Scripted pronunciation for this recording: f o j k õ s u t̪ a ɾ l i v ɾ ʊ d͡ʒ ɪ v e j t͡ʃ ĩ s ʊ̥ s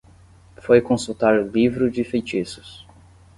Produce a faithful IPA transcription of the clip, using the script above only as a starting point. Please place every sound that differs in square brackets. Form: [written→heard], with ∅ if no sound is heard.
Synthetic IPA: f o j k õ s u t̪ a ɾ l i v ɾ ʊ d͡ʒ ɪ [v→f] e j t͡ʃ [ĩ→i] s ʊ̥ s